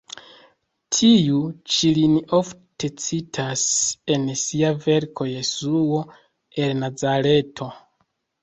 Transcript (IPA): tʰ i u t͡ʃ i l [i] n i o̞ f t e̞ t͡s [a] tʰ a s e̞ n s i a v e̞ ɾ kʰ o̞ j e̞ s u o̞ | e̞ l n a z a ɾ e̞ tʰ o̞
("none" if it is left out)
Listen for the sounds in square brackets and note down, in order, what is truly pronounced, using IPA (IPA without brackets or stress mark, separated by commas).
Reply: i, i